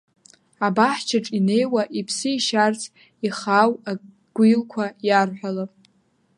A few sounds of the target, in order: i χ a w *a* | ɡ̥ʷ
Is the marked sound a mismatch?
no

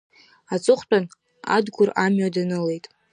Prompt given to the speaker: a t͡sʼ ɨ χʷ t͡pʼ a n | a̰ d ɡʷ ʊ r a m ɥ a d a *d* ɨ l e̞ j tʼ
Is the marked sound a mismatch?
yes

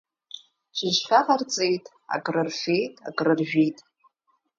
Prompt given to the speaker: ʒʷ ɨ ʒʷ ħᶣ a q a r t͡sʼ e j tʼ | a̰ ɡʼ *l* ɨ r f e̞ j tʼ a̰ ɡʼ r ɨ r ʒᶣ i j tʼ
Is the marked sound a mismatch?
yes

